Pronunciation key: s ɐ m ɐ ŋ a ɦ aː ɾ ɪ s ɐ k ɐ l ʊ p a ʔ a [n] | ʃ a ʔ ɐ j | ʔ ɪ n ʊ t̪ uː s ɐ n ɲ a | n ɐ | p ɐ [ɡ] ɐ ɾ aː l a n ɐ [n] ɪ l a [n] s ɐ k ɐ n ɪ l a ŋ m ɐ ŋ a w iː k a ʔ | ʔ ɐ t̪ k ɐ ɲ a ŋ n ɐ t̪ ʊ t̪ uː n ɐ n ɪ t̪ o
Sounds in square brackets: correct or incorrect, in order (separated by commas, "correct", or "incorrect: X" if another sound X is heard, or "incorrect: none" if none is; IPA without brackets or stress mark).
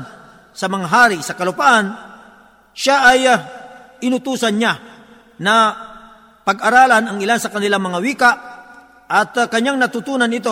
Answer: correct, correct, incorrect: ŋ, correct